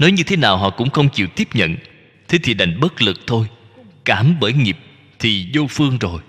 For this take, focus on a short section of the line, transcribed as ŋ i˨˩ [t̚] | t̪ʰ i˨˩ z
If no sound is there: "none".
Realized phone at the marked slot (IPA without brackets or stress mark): p̚